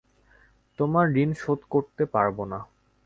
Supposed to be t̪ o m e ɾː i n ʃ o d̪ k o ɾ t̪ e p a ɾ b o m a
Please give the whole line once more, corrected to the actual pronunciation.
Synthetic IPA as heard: t̪ o m a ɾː i n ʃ o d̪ k o ɾ t̪ e p a ɾ b o n a